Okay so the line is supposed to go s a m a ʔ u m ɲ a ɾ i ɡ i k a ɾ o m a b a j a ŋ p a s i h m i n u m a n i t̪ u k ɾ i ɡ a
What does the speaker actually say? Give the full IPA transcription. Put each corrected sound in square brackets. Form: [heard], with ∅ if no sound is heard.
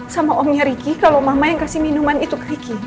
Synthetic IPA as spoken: s a m a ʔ [ɔ] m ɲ a ɾ i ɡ i k a [l] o m a [m] a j a ŋ [k] a s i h m i n u m a n i t̪ u k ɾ i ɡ [i]

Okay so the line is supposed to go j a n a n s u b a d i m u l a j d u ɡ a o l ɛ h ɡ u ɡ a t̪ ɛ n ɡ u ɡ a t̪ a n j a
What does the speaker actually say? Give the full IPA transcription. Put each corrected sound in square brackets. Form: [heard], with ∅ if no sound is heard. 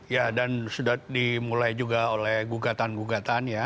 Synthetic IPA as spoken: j a [d] a n s u [d] a d i m u l a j [d͡ʒ] u ɡ a o l ɛ h ɡ u ɡ a t̪ [a] n ɡ u ɡ a t̪ a n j a

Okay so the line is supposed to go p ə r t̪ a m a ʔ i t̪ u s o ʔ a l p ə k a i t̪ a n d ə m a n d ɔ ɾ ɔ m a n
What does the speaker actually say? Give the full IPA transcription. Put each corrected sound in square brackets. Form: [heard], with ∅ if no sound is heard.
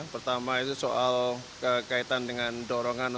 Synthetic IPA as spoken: p ə r t̪ a m a [∅] i t̪ u s o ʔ a l [k] ə k a i t̪ a n d ə [ŋ] a n d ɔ ɾ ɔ [ŋ] a n

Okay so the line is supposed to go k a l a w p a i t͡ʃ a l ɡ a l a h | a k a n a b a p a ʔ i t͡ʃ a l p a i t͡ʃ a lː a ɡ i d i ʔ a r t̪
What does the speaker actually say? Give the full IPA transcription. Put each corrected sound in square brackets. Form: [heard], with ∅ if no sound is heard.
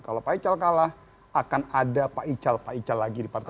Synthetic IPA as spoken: k a l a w p a i t͡ʃ a l [k] a l a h | a k a n a [d] a p a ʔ i t͡ʃ a l p a i t͡ʃ a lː a ɡ i d i [p] a r t̪

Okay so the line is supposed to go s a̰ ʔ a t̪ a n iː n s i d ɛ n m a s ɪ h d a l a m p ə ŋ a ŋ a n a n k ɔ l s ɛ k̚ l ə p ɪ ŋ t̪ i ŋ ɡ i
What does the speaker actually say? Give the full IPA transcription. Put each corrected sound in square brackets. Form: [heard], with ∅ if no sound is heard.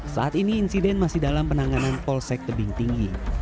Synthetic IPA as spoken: s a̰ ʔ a t̪ [i] n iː n s i d ɛ n m a s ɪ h d a l a m p ə [n] a ŋ a n a n [p] ɔ l s ɛ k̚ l ə [b] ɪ ŋ t̪ i ŋ ɡ i

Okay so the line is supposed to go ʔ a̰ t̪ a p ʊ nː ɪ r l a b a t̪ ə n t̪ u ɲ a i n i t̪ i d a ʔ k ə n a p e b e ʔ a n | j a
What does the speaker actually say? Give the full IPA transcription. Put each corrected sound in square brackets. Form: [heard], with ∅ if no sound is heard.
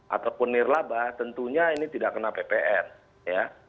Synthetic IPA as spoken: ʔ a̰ t̪ a p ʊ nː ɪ r l a b a t̪ ə n t̪ u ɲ a i n i t̪ i d a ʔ k ə n a p e [p] e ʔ [ɛ] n | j a

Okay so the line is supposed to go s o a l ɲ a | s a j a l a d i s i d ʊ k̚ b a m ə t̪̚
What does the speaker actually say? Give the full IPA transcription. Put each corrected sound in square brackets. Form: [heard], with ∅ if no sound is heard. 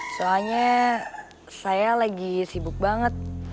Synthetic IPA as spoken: s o a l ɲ a | s a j a l a [ɡ] i s i [b] ʊ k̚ b a [ŋ] ə t̪̚

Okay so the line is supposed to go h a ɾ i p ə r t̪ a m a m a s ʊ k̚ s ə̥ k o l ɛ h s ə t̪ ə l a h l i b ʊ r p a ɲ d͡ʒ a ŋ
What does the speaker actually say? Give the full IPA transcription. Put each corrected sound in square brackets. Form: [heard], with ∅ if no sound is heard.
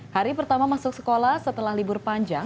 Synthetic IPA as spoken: h a ɾ i p ə r t̪ a m a m a s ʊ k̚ s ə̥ k o l [a] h s ə t̪ ə l a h l i b ʊ r p a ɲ d͡ʒ a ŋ

